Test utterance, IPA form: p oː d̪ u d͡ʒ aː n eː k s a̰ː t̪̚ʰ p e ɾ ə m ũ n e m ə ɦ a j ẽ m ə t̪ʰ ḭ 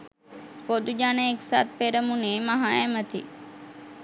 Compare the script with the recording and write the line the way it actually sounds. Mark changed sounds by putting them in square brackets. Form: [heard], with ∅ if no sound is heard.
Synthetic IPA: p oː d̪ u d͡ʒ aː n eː k s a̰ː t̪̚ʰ p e ɾ ə m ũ n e m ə ɦ a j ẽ m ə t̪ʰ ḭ